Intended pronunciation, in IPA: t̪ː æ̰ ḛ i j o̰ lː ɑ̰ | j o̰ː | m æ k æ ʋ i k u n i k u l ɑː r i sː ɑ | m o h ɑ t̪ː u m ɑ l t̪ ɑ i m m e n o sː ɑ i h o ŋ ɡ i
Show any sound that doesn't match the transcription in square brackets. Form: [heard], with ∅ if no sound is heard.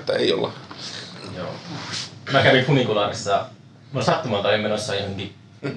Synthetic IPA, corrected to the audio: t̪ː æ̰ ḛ i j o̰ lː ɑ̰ | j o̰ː | m æ k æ ʋ i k u n i k u l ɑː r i sː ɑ | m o [s] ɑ t̪ː u m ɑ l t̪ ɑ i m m e n o sː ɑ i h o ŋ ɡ i